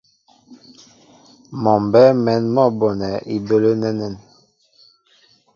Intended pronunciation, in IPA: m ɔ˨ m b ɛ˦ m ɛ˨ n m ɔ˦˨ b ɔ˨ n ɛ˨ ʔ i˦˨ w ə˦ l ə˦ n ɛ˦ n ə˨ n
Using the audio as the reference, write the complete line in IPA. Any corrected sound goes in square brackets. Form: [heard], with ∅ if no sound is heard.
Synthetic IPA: m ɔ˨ m b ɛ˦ m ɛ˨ n m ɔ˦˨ b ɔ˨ n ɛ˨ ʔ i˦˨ [b] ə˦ l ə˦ n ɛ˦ n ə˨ n